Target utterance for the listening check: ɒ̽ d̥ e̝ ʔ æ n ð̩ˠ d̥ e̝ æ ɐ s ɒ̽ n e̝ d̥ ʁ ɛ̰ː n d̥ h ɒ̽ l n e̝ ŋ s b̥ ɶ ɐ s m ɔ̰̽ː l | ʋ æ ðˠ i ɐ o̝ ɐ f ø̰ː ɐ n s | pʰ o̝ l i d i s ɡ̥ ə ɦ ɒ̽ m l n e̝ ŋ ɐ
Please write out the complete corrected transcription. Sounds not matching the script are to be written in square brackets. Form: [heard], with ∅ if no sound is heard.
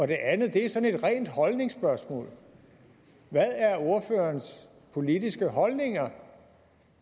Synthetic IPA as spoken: ɒ̽ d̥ e̝ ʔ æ n ð̩ˠ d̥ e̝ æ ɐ s ɒ̽ n e̝ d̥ ʁ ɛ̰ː n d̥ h ɒ̽ l n e̝ ŋ s b̥ ɶ ɐ s m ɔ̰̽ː l | ʋ æ ðˠ [æ] ɐ o̝ ɐ f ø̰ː ɐ n s | pʰ o̝ l i d i s ɡ̥ ə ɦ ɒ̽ [∅] l n e̝ ŋ ɐ